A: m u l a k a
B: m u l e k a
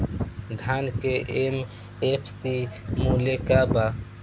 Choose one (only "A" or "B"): B